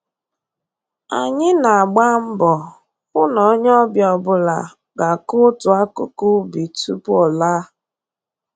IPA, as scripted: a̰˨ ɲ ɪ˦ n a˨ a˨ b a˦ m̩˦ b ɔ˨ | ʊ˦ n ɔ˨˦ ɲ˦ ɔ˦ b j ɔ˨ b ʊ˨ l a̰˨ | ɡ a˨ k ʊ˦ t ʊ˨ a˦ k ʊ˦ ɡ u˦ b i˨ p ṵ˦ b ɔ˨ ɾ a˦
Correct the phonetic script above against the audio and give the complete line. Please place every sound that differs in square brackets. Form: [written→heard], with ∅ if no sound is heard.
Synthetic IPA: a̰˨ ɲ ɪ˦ n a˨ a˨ [b→ɡ͡b] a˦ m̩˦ b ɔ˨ | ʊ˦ n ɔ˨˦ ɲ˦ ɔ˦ b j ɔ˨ b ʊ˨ l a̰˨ | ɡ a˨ k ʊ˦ t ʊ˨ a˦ k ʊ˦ [ɡ→k] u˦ b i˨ [p→t] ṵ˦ [b→p] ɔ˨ [ɾ→l] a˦